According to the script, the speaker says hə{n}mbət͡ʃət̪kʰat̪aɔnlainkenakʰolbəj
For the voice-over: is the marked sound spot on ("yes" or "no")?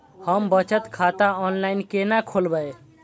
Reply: no